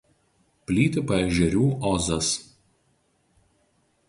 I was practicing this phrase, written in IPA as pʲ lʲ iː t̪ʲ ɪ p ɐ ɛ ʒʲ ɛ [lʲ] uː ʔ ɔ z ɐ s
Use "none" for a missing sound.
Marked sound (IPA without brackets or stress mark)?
ɾʲ